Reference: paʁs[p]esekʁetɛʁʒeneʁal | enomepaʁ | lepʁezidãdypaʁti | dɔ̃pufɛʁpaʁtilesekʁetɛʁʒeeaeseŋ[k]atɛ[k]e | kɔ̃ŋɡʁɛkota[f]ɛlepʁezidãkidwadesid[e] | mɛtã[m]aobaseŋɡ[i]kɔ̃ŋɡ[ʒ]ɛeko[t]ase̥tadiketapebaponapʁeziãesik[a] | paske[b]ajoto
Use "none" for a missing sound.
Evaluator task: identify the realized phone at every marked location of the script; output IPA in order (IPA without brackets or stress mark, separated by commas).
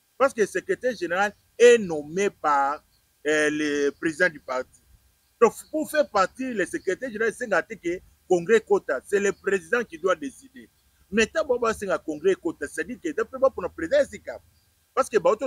k, ɡ, k, s, e, b, a, ʁ, t, a, b